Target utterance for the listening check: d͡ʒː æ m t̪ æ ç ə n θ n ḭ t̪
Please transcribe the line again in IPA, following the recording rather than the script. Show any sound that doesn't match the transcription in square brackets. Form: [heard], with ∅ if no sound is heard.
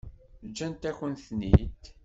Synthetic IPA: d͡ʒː æ [n] t̪ æ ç ə n θ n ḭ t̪